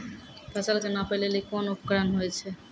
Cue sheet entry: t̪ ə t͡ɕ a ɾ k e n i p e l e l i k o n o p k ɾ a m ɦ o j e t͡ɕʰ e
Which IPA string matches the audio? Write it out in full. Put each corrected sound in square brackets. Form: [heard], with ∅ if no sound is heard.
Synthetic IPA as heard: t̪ [a] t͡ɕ a [l] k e n [a] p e l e l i k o n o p k ɾ a [n] ɦ o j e t͡ɕʰ e